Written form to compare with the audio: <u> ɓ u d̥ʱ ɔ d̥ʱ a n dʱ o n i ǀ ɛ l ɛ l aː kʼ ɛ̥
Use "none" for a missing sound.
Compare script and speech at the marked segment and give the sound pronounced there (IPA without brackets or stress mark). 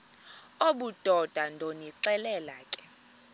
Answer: o